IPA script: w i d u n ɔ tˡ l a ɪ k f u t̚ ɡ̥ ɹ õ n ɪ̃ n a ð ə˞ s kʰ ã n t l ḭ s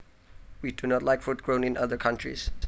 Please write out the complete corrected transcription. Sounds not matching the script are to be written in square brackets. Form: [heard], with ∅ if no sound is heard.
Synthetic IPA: w i d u n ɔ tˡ l a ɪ k f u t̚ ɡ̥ ɹ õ n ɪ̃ n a ð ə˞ [∅] kʰ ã n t [ɹ] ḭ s